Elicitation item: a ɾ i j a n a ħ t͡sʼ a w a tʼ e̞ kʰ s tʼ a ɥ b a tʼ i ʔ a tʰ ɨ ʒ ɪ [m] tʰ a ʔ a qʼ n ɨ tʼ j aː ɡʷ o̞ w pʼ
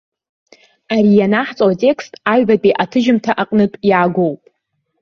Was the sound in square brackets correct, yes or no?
yes